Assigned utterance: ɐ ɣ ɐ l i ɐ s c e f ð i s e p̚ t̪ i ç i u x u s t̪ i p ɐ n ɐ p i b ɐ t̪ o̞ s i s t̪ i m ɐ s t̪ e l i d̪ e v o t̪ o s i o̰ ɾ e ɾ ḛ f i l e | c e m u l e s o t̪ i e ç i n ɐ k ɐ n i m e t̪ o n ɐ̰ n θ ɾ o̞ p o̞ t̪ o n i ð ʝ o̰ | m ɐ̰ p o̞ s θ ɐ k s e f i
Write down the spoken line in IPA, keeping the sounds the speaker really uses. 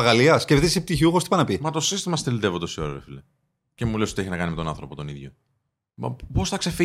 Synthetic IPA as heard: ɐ ɣ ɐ l i ɐ s c e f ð i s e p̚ t̪ i ç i u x o s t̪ i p ɐ n ɐ p i m ɐ t̪ o̞ s i s t̪ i m ɐ s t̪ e l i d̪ e v o t̪ o s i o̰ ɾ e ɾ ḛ f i l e | c e m u l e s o t̪ i e ç i n ɐ k ɐ n i m e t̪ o n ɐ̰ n θ ɾ o̞ p o̞ t̪ o n i ð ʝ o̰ | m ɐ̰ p o̞ s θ ɐ k s e f i